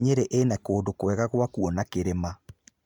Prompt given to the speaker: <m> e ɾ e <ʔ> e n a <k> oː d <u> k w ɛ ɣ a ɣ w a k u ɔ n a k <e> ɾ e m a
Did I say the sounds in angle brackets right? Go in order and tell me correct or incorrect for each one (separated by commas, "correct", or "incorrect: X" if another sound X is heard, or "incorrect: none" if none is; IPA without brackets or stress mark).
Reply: incorrect: ɲ, correct, correct, incorrect: o, correct